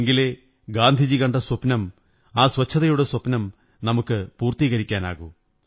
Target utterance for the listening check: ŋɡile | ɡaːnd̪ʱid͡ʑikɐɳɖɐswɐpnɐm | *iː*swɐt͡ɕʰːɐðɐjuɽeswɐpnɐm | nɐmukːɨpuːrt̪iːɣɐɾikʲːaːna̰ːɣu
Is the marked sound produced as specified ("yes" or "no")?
no